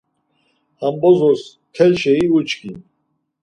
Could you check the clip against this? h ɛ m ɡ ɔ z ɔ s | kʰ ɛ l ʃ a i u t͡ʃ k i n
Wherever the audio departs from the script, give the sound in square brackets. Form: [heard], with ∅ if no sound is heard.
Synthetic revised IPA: h [a] m [b] ɔ z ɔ s | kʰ ɛ l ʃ [ɛ] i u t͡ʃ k i n